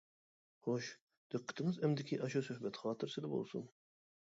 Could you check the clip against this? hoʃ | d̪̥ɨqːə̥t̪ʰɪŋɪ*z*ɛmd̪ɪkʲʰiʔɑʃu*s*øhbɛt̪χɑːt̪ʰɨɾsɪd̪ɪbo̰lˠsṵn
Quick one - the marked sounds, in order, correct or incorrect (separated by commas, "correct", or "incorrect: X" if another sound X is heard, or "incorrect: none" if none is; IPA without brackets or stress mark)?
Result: correct, correct